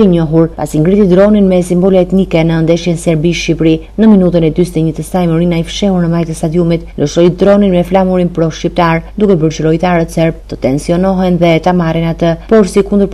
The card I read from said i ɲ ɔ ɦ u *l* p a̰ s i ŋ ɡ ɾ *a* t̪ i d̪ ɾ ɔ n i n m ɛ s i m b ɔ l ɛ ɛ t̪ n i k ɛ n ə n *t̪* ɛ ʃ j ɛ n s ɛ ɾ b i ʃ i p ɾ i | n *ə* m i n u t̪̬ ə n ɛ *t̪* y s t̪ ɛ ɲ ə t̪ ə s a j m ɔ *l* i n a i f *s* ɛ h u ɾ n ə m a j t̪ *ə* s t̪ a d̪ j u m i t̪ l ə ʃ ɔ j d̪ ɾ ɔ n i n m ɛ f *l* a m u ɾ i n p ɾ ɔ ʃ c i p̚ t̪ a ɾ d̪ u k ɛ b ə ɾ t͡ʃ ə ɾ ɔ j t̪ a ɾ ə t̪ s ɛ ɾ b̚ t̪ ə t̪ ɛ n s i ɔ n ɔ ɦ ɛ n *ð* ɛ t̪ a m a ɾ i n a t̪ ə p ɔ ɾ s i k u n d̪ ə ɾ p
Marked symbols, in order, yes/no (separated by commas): no, no, no, yes, no, no, no, yes, yes, yes